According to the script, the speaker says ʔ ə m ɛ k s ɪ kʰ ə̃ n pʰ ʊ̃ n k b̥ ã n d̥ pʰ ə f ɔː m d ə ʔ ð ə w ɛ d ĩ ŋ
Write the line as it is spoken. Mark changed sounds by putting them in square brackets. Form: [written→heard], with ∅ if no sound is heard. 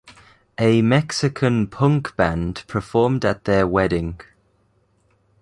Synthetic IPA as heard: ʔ ə m ɛ k s ɪ kʰ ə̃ n pʰ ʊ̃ [n→ŋ] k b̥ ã n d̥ pʰ ə f ɔː m d ə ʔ ð ə w ɛ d [ĩ→ɪ̃] ŋ